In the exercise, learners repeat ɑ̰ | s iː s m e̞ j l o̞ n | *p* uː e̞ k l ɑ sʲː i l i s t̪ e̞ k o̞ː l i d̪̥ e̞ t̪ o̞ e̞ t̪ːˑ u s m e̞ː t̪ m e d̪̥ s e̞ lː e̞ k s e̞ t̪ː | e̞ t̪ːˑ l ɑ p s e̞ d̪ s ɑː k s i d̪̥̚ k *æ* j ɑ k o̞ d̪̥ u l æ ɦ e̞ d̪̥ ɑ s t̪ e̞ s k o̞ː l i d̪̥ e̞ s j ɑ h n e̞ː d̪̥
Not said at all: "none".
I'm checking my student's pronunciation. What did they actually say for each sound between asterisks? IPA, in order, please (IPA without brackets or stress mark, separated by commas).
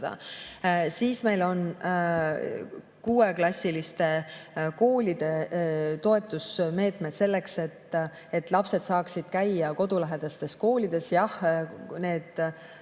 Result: k, æ